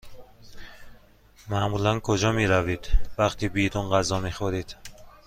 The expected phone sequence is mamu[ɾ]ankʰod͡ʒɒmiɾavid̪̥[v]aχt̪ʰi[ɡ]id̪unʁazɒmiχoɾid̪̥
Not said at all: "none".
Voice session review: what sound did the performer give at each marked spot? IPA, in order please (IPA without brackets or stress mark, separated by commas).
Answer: l, v, b